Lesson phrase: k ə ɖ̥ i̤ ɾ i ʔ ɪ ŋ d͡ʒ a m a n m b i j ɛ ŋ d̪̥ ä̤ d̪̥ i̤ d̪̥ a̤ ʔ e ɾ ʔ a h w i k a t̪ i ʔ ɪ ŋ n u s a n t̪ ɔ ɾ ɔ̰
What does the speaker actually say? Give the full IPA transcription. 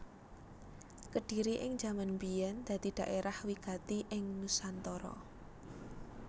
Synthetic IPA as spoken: k ə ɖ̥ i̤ ɾ i ʔ ɪ ŋ d͡ʒ a m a n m b i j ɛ n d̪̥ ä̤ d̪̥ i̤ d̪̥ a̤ ʔ e ɾ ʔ a h w i k a t̪ i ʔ ɪ ŋ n u s a n t̪ ɔ ɾ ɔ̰